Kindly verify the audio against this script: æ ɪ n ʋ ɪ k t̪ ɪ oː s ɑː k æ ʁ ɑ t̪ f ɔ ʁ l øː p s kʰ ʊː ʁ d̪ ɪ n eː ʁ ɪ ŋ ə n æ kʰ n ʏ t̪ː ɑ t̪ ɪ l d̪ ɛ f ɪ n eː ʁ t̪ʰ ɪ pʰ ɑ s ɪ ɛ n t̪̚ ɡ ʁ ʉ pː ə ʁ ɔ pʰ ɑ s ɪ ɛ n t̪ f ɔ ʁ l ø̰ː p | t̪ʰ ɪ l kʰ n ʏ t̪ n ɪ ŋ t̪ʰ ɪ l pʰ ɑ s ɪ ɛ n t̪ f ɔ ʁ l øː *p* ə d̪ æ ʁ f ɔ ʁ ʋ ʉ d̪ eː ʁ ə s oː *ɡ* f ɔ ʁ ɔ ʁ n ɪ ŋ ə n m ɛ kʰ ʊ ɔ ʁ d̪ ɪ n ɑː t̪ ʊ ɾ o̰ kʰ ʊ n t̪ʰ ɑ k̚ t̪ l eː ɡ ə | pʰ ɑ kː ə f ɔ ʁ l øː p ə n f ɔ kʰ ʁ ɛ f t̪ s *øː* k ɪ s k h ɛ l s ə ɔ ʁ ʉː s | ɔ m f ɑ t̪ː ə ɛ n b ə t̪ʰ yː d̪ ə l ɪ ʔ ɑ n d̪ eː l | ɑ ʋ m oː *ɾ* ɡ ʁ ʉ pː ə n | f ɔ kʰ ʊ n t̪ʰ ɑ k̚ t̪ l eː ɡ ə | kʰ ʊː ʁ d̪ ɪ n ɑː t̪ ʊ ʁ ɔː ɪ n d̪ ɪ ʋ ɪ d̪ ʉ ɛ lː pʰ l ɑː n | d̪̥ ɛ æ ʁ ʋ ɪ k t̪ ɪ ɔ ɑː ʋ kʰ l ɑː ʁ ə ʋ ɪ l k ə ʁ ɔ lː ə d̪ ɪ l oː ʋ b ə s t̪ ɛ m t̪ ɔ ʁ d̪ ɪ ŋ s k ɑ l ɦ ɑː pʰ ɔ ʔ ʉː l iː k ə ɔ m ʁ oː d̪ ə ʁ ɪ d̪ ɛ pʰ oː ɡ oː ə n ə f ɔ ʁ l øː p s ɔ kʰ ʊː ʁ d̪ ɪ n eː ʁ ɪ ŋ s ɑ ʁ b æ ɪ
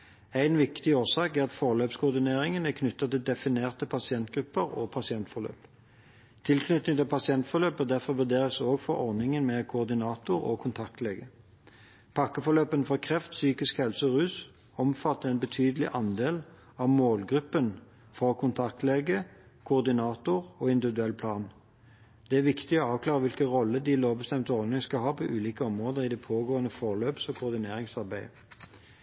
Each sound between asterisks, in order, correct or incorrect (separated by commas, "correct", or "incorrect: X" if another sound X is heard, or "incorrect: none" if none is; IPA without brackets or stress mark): correct, correct, incorrect: yː, incorrect: l